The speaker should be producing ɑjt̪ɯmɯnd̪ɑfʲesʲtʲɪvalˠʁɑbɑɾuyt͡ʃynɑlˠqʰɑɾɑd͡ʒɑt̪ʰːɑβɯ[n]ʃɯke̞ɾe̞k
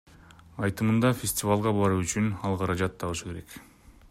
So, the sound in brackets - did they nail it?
no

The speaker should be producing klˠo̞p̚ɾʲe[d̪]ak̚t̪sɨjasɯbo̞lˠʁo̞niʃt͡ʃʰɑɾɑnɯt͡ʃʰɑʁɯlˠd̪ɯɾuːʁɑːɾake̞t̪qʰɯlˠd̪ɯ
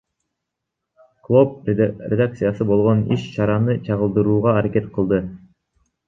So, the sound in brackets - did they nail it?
yes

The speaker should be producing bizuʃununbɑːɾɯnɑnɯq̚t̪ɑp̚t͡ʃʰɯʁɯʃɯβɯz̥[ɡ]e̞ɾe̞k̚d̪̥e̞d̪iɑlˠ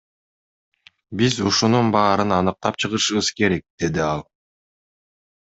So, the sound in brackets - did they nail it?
no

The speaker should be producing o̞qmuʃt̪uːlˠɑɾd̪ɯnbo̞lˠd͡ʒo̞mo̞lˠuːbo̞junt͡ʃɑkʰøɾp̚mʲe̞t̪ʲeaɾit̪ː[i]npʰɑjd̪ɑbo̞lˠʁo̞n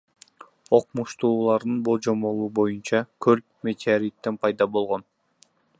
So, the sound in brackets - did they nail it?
no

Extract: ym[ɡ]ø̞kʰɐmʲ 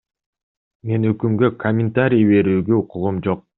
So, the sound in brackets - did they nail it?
yes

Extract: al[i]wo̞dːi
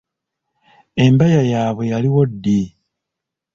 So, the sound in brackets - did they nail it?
yes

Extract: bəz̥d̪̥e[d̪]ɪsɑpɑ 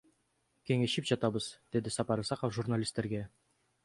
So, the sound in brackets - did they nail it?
yes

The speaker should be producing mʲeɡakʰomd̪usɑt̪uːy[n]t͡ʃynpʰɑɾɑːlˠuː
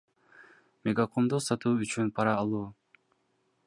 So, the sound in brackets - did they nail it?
no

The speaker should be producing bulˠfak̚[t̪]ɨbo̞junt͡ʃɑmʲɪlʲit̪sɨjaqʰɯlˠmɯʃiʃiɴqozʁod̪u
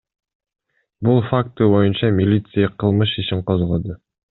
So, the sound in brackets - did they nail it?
yes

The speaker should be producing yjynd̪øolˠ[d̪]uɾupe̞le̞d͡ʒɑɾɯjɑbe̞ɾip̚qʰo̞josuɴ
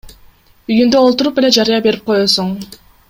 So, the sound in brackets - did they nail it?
no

